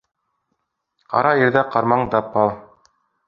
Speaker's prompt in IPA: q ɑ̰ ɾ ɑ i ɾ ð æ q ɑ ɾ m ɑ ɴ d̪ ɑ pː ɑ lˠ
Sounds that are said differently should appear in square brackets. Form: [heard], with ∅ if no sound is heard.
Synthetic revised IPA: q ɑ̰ ɾ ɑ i ɾ ð æ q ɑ ɾ m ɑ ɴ d̪ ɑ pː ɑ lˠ